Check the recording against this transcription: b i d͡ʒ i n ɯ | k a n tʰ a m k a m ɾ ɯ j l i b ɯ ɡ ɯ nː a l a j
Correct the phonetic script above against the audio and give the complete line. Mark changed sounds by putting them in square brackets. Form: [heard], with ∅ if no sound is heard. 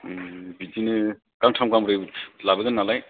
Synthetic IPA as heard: b i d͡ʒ i n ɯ | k a [ŋ] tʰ a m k a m ɾ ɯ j l [a] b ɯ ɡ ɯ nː a l a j